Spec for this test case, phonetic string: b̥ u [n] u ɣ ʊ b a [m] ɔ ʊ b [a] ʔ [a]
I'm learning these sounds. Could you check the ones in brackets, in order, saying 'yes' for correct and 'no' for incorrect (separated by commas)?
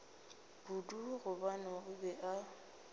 no, no, no, yes